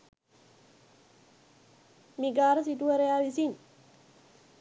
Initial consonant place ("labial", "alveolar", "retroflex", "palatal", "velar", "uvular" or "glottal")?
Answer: labial